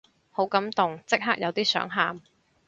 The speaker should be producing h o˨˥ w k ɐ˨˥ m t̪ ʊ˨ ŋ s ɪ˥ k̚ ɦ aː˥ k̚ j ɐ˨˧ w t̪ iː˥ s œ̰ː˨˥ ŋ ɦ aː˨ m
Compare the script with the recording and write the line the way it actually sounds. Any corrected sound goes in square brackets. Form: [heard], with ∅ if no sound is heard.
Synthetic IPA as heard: h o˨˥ w k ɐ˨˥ m t̪ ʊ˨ ŋ [t͡s] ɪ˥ k̚ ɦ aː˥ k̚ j ɐ˨˧ w t̪ iː˥ s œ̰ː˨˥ ŋ ɦ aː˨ m